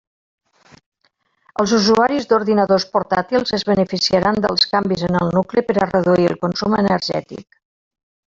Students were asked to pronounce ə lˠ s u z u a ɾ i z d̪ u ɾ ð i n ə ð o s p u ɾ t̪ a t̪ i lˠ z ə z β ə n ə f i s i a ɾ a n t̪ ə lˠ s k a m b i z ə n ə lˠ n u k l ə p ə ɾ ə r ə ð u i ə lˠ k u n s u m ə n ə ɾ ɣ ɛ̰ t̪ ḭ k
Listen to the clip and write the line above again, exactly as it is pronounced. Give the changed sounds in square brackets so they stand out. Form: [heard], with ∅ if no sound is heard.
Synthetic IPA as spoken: ə lˠ [z] u z u a ɾ i z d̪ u ɾ ð i n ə ð o s p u ɾ t̪ a t̪ i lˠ z ə z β ə n ə f i s i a ɾ a n [d̪] ə lˠ s k a m b i z ə n ə lˠ n u k l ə p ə ɾ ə r ə ð u i ə lˠ k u n s u m ə n ə ɾ [ʒ] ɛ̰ t̪ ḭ k